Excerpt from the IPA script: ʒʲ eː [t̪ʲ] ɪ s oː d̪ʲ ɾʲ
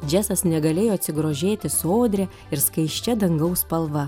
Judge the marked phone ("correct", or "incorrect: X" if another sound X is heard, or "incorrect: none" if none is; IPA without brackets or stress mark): correct